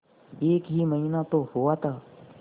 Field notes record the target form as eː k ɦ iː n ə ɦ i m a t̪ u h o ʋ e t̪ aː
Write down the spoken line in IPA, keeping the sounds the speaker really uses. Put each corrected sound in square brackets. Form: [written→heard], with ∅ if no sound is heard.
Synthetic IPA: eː k ɦ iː [n→m] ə ɦ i [m→n] a t̪ [u→o] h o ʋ [e→a] t̪ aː